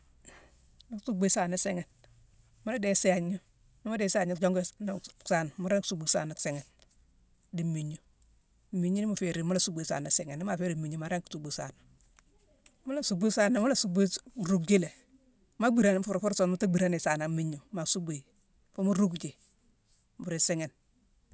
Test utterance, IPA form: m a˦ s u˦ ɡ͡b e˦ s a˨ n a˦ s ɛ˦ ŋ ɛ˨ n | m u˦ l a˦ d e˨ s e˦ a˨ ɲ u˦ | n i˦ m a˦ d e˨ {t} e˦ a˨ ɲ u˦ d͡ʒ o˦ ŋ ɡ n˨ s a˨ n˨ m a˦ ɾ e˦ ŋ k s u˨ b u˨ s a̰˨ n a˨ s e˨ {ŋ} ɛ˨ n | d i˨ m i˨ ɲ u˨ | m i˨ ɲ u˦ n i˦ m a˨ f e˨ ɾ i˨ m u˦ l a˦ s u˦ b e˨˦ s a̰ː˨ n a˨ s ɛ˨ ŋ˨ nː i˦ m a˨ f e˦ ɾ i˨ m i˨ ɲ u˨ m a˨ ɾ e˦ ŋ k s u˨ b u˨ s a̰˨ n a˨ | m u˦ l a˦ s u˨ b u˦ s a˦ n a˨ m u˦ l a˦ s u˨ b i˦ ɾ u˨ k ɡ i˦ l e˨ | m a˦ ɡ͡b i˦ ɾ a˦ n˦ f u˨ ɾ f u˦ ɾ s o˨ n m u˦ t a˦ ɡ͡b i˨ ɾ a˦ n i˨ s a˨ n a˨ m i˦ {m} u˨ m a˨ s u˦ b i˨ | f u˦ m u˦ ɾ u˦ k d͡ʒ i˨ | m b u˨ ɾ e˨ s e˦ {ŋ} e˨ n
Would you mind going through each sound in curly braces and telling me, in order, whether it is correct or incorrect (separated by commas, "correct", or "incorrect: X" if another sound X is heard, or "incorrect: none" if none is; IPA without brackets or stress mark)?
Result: incorrect: s, correct, incorrect: ɲ, correct